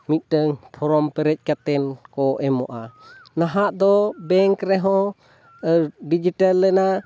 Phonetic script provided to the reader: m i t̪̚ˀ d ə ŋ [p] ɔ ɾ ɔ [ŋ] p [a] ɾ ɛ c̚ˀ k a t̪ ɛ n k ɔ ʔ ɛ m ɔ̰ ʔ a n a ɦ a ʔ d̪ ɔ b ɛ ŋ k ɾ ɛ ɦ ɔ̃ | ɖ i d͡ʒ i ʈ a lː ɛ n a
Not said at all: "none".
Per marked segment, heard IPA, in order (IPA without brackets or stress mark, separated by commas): pʰ, m, ɛ